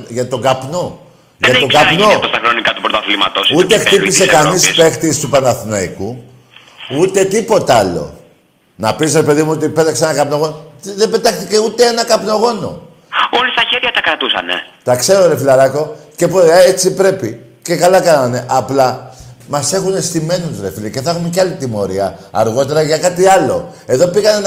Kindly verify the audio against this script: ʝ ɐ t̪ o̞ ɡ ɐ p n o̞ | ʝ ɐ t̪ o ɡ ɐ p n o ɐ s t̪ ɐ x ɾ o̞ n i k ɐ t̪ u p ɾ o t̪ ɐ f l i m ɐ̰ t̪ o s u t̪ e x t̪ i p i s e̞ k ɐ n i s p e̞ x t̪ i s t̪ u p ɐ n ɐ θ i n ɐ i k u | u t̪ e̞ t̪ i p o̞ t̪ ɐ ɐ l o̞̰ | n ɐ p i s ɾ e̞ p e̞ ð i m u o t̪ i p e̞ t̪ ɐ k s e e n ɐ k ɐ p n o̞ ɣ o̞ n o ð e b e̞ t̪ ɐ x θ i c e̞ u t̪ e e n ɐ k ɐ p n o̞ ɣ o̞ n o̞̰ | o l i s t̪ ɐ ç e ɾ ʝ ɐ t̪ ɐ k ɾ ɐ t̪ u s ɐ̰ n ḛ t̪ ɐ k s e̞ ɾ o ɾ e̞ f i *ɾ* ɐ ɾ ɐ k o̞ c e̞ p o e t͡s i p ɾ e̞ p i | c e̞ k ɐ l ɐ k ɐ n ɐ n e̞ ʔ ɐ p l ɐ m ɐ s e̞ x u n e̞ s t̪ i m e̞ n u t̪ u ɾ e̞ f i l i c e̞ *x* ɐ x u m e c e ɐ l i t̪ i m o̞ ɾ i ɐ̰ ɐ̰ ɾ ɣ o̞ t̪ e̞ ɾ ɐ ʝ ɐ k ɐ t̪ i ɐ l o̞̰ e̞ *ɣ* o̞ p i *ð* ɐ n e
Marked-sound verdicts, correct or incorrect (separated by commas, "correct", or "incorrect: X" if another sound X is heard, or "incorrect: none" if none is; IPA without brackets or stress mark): incorrect: l, incorrect: θ, incorrect: ð, incorrect: ɣ